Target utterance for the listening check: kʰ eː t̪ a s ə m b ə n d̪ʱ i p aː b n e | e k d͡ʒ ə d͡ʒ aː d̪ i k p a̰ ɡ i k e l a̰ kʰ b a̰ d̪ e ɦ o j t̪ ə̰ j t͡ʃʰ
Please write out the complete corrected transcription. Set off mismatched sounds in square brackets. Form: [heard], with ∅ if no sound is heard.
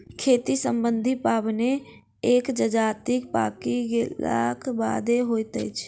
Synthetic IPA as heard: kʰ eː t̪ [i] s ə m b ə n d̪ʱ i p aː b n e | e k d͡ʒ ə d͡ʒ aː [t̪] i k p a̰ [k] i [ɡ] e l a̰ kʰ b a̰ d̪ e ɦ o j t̪ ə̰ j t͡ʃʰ